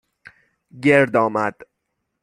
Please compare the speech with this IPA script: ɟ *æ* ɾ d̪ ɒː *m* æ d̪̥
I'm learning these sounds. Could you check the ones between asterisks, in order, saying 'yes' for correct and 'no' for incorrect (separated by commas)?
no, yes